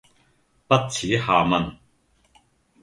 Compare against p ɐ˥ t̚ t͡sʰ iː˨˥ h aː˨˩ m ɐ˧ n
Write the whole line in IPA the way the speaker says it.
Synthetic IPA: p ɐ˥ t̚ t͡sʰ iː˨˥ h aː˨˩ m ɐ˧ n